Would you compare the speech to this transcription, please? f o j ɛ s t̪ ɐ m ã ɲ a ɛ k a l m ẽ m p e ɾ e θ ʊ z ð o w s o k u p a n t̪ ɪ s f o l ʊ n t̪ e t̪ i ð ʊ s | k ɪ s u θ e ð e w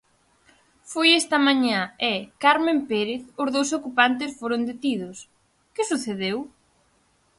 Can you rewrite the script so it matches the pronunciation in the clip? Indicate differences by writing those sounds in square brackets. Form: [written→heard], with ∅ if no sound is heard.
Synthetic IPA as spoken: f o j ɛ s t̪ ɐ m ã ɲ a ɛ k a [l→ɾ] m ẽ m p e ɾ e θ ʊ z ð o w s o k u p a n t̪ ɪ s f o [l→ɾ] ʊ n [t̪→d̪] e t̪ i ð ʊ s | k ɪ s u θ e ð e w